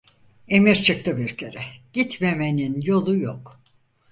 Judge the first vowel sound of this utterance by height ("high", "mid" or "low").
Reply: mid